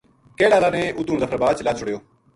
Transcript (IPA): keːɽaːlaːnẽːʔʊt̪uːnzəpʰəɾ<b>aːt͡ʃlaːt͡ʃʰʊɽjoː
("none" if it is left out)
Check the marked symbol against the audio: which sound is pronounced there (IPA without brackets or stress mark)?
b